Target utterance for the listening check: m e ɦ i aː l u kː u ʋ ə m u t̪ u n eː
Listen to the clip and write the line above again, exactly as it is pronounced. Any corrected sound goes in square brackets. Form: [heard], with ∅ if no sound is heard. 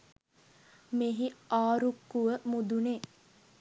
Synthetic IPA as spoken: m e ɦ i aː [ɾ] u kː u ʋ ə m u [d̪] u n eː